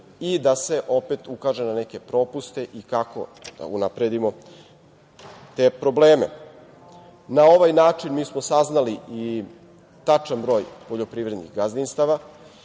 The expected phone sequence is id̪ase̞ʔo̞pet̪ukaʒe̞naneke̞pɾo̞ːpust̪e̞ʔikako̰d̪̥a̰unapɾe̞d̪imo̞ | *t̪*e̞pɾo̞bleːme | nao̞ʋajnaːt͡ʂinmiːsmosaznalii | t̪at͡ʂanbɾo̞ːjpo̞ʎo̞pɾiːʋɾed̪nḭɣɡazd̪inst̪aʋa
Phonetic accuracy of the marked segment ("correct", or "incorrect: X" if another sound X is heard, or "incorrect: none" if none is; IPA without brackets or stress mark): correct